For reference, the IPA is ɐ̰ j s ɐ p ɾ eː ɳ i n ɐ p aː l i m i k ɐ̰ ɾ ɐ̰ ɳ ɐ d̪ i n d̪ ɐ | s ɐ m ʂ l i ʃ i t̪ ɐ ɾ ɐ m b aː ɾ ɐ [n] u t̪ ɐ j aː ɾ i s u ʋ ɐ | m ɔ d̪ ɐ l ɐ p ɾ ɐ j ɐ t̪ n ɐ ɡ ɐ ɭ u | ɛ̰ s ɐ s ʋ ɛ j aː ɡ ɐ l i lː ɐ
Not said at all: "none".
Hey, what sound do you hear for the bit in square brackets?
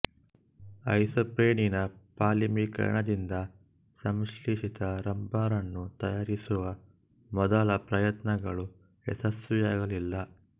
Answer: nː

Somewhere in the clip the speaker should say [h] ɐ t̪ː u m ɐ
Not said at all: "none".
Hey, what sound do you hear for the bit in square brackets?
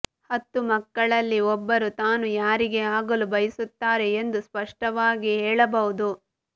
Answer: h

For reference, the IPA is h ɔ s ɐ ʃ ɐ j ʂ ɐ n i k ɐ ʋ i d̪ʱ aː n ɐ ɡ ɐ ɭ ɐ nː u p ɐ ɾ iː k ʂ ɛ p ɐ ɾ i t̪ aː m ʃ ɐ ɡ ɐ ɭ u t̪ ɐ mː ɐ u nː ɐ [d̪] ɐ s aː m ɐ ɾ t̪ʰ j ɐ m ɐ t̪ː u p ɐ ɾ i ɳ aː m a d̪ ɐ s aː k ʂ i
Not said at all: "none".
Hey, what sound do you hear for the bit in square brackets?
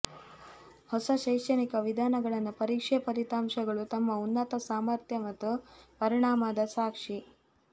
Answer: t̪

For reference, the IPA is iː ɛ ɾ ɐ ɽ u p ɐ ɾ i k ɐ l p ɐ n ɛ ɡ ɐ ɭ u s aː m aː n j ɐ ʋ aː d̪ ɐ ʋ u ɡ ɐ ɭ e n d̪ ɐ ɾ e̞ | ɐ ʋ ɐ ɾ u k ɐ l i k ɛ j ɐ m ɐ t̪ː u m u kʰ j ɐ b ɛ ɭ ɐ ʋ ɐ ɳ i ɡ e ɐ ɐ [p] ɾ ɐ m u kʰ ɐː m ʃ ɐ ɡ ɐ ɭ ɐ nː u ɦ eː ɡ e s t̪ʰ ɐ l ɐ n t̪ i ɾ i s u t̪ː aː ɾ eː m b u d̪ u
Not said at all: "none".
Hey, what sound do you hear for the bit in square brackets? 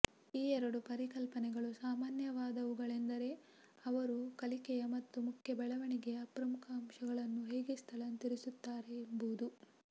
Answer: p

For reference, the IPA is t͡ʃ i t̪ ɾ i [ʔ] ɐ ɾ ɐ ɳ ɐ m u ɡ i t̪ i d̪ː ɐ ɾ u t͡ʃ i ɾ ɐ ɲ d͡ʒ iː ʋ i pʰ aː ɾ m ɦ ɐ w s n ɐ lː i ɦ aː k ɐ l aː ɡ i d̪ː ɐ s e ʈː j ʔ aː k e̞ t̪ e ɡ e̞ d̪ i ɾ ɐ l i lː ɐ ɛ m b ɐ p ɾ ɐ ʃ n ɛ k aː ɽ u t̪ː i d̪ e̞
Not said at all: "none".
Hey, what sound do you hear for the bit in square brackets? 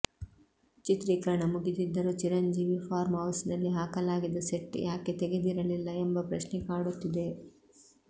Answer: k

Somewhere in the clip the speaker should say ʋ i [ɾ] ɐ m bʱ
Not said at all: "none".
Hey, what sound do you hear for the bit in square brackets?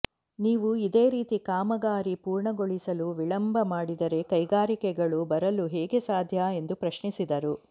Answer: ɭ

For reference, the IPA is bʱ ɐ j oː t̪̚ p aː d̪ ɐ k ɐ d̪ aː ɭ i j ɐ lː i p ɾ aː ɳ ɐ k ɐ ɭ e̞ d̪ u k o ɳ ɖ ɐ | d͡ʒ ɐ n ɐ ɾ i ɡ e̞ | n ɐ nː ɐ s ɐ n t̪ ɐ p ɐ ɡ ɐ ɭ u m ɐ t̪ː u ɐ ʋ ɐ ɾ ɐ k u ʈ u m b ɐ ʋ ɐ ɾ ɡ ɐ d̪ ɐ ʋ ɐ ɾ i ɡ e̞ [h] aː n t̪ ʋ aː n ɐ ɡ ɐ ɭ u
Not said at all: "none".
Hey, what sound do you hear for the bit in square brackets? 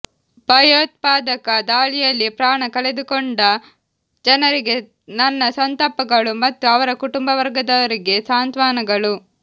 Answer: s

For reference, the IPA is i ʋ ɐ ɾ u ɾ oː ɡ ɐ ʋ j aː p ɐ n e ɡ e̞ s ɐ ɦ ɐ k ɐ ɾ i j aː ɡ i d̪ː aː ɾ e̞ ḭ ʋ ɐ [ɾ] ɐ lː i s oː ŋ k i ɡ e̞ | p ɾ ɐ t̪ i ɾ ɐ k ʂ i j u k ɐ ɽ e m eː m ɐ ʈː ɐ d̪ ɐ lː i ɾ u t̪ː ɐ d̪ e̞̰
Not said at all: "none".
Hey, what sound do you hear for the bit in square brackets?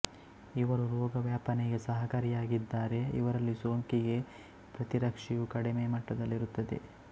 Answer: ɾ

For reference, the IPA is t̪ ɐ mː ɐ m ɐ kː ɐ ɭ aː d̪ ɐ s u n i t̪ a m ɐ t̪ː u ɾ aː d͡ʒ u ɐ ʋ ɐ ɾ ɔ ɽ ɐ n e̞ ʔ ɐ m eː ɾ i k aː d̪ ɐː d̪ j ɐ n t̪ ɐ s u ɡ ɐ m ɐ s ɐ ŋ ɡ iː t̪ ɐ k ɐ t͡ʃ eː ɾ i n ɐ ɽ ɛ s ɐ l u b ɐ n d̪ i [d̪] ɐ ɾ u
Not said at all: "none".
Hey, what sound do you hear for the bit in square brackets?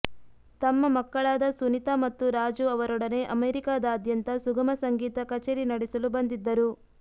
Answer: d̪ː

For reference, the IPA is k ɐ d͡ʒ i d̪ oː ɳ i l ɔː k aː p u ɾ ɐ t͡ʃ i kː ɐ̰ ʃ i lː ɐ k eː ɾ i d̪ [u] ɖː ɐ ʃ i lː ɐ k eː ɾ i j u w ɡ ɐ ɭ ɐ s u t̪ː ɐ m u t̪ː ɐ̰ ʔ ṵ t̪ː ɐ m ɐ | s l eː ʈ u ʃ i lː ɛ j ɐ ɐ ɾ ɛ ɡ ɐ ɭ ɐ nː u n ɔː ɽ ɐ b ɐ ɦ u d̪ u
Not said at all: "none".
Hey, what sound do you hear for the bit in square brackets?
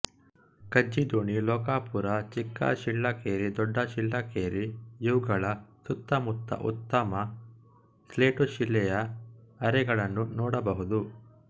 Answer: ɔ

